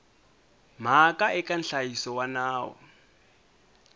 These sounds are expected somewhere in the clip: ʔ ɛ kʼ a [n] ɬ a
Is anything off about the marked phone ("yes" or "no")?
no